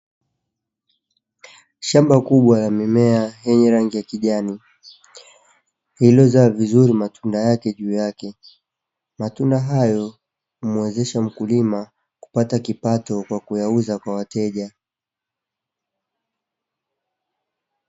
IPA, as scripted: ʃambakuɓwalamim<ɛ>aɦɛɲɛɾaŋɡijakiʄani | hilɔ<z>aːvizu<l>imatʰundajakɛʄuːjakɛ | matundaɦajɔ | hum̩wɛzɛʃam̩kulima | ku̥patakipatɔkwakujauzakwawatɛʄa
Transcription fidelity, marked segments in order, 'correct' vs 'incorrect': correct, correct, incorrect: ɾ

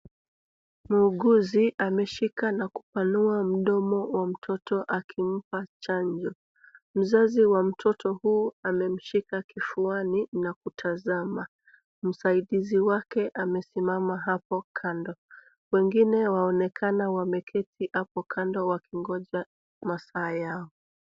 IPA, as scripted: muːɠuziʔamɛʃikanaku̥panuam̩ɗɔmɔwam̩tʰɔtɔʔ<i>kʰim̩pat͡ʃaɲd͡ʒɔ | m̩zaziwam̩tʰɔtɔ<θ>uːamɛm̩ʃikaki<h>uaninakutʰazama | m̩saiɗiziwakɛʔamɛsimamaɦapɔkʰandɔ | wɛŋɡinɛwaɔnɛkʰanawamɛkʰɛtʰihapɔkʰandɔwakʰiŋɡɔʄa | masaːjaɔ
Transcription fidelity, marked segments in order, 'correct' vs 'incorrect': incorrect: a, incorrect: h, incorrect: f

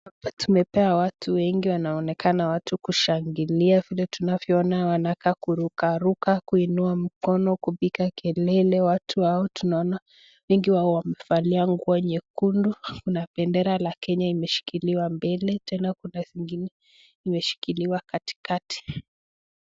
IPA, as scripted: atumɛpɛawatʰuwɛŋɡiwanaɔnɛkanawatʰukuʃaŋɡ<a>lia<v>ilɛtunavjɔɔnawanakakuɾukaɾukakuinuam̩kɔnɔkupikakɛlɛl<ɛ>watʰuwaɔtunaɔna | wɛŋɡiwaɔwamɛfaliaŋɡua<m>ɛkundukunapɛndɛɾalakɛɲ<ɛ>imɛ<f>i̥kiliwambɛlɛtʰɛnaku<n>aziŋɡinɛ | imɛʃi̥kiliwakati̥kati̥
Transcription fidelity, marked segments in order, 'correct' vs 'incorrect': incorrect: i, correct, correct, incorrect: ɲ, incorrect: a, incorrect: ʃ, correct

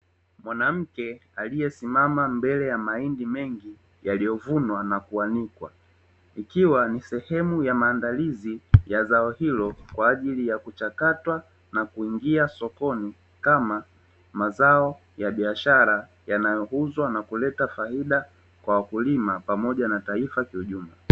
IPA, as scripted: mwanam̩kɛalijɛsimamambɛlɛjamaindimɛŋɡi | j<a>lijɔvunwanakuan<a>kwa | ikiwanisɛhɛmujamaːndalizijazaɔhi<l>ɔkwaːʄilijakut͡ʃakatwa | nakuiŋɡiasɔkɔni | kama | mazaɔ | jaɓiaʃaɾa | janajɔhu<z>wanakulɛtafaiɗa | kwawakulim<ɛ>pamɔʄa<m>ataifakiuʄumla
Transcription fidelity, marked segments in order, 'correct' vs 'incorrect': correct, incorrect: i, correct, correct, incorrect: a, incorrect: n

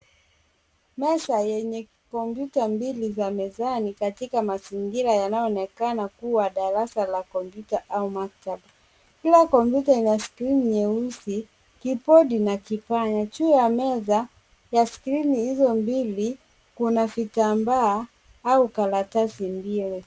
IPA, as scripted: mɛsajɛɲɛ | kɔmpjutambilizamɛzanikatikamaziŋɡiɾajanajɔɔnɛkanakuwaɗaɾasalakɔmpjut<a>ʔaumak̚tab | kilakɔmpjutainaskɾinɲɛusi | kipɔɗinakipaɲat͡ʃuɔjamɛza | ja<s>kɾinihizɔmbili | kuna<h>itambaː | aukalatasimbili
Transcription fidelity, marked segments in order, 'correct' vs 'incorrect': correct, correct, incorrect: f

